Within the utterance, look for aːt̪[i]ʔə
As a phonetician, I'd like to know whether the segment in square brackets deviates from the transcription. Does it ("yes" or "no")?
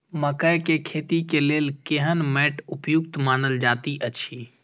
no